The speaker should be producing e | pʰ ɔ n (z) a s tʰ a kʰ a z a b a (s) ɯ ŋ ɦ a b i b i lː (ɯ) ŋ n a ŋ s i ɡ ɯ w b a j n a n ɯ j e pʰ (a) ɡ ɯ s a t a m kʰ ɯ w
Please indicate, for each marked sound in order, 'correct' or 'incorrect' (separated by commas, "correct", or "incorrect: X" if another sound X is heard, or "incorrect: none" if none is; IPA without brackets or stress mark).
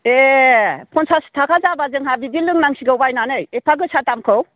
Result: incorrect: s, incorrect: z, correct, correct